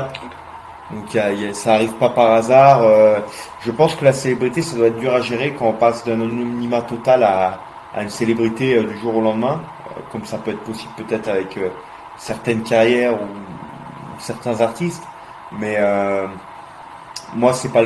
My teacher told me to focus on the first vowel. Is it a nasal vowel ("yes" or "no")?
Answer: yes